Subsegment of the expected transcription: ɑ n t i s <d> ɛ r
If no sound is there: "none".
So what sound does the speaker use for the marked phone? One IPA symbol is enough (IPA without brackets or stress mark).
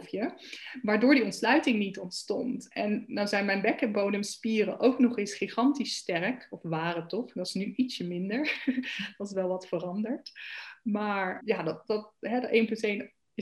t